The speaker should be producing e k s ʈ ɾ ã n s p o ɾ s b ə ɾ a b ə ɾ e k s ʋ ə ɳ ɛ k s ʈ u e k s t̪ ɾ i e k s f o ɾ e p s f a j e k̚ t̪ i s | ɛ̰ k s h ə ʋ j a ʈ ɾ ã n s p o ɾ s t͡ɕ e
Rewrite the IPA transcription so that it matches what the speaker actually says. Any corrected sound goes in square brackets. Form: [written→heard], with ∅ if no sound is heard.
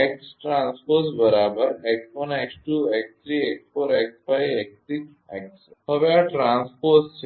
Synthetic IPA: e k s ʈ ɾ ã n s p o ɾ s b ə ɾ a b ə ɾ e k s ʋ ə [ɳ→n] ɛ k s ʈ u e k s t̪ ɾ i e k s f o ɾ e [p→k] s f a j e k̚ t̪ i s | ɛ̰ k s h ə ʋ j a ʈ ɾ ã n s p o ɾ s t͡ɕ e